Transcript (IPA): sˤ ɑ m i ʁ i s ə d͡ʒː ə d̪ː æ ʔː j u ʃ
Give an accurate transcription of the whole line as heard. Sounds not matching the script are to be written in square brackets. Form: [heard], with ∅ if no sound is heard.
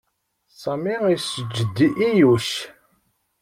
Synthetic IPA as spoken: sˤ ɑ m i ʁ i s ə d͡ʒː ə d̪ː [i] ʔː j u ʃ